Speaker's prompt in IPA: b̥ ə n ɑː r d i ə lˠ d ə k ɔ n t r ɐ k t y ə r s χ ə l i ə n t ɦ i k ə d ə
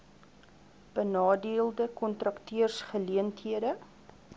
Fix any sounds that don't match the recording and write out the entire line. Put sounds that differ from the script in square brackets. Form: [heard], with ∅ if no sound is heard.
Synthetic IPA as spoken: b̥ ə n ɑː [∅] d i ə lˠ d ə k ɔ n t r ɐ k t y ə r s χ ə l i ə n t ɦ i [∅] ə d ə